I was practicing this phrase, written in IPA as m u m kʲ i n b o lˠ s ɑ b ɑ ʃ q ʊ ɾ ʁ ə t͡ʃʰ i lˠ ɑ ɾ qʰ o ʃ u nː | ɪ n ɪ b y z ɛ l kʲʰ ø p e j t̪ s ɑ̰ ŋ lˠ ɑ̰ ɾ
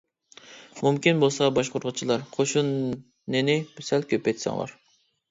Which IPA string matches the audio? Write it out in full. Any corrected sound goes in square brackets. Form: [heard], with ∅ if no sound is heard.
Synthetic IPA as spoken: m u m kʲ i n b o lˠ s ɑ b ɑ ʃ q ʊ ɾ ʁ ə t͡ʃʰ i lˠ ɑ ɾ qʰ o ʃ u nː | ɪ n ɪ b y [s] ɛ l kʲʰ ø p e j t̪ s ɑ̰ ŋ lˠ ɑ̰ ɾ